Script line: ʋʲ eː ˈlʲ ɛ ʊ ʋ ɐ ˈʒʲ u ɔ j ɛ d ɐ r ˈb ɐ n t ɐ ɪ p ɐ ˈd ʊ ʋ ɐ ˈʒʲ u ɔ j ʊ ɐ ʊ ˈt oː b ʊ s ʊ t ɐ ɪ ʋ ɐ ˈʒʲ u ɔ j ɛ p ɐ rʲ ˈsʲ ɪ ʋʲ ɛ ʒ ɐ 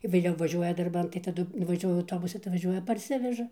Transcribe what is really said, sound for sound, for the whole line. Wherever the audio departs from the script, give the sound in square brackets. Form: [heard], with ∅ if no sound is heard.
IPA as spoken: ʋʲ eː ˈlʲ ɛ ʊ ʋ ɐ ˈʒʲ u ɔ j ɛ d ɐ r ˈb ɐ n t ɐ ɪ [t] ɐ ˈd ʊ ʋ ɐ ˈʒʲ u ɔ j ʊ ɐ ʊ ˈt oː b ʊ s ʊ t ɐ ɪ ʋ ɐ ˈʒʲ u ɔ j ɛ p ɐ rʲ ˈsʲ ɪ ʋʲ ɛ ʒ ɐ